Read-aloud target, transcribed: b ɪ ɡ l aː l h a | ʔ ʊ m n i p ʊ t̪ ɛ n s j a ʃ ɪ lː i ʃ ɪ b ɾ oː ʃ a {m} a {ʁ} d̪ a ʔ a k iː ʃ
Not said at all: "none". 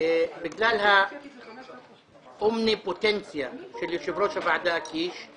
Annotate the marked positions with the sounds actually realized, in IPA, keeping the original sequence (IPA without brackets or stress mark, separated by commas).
b, ʕ